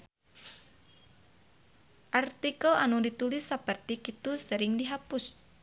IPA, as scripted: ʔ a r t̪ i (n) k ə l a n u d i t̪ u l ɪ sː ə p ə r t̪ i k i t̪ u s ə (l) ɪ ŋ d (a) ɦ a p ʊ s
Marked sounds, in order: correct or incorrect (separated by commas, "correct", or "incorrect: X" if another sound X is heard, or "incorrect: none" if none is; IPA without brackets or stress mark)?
incorrect: none, incorrect: ɾ, incorrect: i